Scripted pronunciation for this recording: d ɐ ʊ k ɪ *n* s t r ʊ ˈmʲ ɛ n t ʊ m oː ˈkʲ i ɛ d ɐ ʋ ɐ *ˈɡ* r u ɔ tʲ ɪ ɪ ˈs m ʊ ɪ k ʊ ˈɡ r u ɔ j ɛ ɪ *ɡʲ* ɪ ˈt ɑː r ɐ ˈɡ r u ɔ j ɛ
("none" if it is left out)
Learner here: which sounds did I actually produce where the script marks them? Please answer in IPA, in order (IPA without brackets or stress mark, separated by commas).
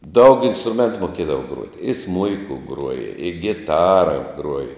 n, ɡ, ɡʲ